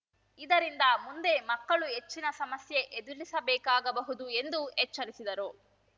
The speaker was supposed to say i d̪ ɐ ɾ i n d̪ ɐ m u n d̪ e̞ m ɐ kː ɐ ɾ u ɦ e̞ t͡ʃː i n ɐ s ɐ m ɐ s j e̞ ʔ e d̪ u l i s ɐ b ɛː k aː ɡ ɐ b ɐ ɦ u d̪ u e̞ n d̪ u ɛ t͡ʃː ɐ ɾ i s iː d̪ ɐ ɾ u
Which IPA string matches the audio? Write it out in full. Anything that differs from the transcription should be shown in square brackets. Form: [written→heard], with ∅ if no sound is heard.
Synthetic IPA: i d̪ ɐ ɾ i n d̪ ɐ m u n d̪ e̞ m ɐ kː ɐ [ɾ→ɭ] u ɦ e̞ t͡ʃː i n ɐ s ɐ m ɐ s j e̞ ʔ e d̪ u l i s ɐ b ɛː k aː ɡ ɐ b ɐ ɦ u d̪ u e̞ n d̪ u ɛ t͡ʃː ɐ ɾ i s [iː→i] d̪ ɐ ɾ u